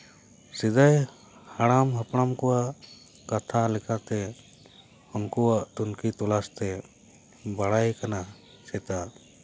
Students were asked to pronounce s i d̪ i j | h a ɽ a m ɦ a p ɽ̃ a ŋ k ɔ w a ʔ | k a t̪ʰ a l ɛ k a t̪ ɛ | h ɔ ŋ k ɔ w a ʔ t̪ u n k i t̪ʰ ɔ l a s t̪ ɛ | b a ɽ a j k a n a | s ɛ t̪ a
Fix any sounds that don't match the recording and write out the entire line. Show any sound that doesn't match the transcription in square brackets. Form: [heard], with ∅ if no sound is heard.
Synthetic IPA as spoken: s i d̪ [a] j | h a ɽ a m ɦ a p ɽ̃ a [m] k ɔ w a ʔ | k a t̪ʰ a l ɛ k a t̪ ɛ | h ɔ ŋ k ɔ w a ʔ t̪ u n k i [t̪] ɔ l a s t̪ ɛ | b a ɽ a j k a n a | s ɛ t̪ a